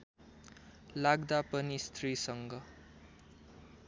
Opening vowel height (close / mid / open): open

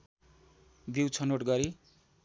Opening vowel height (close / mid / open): close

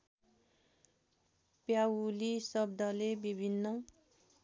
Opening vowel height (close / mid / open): open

